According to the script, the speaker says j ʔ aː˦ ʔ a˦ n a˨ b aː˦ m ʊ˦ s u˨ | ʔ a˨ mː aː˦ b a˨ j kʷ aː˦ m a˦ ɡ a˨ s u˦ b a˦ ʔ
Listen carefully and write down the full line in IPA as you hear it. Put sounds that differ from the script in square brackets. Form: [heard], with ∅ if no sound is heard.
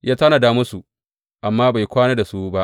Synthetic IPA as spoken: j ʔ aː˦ [t] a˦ n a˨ [d] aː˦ m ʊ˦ s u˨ | ʔ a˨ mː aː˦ b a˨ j kʷ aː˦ [n] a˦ [d] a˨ s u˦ b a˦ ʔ